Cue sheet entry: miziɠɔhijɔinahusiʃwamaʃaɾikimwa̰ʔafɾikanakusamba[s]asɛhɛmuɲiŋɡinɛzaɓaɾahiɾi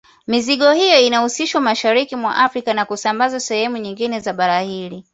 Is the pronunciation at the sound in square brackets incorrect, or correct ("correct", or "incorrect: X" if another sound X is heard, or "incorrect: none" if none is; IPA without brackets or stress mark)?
incorrect: z